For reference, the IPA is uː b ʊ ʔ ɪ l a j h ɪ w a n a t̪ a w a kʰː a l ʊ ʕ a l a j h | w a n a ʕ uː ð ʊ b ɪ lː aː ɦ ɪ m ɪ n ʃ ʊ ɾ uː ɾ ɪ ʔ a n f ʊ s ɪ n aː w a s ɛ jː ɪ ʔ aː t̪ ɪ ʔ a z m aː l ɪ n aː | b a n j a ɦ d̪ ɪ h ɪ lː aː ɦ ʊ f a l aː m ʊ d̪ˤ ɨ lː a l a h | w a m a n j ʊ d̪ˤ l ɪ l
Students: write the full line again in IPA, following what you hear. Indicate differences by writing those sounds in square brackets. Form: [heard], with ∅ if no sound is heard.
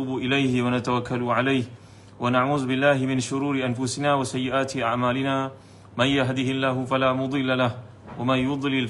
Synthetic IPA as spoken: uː b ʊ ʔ ɪ l a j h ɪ w a n a t̪ a w a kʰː a l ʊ ʕ a l a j h | w a n a ʕ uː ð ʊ b ɪ lː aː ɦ ɪ m ɪ n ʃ ʊ ɾ uː ɾ ɪ ʔ a n f ʊ s ɪ n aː w a s [a] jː ɪ ʔ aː t̪ ɪ ʔ a [ʕ] m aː l ɪ n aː | [m] a n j a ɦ d̪ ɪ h ɪ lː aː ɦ ʊ f a l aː m ʊ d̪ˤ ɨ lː a l a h | w a m a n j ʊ d̪ˤ l ɪ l